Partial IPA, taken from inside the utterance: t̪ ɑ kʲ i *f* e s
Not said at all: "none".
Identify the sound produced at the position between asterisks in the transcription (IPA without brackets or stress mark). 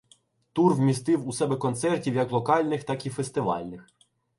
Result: f